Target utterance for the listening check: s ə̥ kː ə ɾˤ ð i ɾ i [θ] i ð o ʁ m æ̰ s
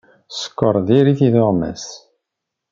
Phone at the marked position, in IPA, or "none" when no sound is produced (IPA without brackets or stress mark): θ